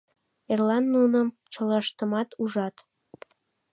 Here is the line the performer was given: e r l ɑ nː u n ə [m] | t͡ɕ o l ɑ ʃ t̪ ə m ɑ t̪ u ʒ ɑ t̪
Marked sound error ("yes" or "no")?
no